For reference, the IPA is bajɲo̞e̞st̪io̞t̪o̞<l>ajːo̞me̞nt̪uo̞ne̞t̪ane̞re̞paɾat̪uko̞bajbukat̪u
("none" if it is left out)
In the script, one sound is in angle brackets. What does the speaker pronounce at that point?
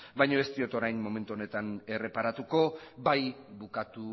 ɾ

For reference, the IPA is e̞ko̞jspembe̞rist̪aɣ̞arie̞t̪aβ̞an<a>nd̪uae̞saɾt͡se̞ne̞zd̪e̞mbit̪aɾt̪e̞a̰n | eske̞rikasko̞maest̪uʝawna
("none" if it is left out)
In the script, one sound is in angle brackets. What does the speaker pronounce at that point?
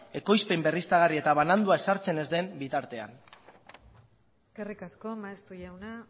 a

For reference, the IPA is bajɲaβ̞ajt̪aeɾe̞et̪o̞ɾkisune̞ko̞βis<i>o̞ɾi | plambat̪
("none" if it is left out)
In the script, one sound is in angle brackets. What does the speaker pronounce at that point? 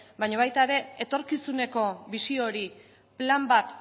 i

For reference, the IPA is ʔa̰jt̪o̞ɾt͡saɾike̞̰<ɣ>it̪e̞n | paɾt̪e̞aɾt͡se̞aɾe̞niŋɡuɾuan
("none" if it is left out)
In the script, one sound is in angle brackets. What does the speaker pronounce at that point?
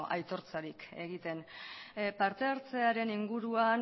ɣ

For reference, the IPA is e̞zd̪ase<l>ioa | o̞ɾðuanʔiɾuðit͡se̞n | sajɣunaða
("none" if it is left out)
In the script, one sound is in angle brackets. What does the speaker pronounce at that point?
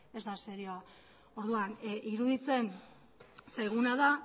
ɾ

